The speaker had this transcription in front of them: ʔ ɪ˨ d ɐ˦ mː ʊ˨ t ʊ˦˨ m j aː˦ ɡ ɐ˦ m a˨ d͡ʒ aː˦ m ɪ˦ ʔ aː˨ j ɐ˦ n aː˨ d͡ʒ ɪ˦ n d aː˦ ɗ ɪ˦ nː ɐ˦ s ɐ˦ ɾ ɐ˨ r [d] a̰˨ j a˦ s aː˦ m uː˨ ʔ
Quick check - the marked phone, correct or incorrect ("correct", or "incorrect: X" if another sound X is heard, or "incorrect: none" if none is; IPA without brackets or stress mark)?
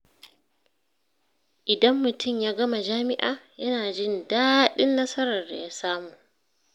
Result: correct